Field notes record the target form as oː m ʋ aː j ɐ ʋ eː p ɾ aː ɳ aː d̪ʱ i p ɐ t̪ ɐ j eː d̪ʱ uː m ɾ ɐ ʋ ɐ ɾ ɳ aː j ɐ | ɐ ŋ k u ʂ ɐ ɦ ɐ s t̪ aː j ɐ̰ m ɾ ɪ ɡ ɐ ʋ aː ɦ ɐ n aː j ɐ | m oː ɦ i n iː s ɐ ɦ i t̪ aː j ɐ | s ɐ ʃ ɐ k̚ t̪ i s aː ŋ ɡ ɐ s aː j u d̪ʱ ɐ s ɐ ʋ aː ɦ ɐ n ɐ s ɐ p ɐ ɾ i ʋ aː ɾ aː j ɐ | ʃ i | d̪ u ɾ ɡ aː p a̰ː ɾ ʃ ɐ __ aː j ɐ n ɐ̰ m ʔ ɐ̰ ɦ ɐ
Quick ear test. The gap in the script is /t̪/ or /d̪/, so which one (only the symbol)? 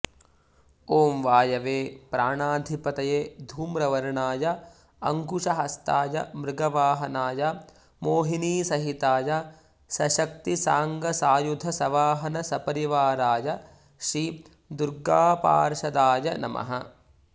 d̪